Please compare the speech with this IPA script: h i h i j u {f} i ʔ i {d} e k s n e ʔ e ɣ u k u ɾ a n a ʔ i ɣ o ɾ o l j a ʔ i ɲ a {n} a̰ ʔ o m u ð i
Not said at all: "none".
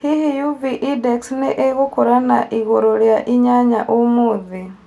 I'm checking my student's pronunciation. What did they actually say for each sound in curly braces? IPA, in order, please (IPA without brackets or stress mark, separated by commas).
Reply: v, d, ɲ